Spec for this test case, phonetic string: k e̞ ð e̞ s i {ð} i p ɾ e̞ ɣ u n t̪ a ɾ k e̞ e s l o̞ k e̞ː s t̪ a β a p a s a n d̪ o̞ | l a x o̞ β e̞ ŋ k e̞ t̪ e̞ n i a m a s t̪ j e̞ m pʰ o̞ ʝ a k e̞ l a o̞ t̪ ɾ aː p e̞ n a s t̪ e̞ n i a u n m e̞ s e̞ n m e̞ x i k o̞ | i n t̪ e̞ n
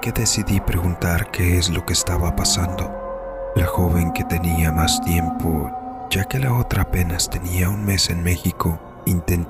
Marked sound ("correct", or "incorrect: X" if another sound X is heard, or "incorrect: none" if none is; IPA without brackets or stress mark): correct